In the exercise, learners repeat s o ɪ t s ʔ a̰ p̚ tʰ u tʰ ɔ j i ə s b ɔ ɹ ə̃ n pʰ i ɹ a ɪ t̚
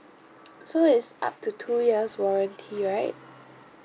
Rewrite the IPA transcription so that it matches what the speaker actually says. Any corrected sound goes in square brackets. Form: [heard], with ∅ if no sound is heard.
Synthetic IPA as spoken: s o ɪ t s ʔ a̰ p̚ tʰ u tʰ [u] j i ə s [w] ɔ ɹ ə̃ n [tʰ] i ɹ a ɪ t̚